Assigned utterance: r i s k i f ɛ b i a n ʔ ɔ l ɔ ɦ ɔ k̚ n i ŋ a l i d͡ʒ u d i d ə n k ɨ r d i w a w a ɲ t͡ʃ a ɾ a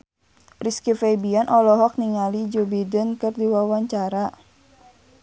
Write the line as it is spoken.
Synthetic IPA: r i s k i f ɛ b i a n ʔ ɔ l ɔ ɦ ɔ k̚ n i ŋ a l i d͡ʒ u b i d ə n k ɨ r d i w a w a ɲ t͡ʃ a ɾ a